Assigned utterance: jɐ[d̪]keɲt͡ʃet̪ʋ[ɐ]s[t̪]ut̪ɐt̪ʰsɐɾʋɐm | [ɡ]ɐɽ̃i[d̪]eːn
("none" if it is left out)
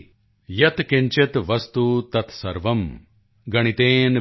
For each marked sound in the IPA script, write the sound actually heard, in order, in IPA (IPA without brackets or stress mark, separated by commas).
t̪, ɐ, t̪, ɡ, t̪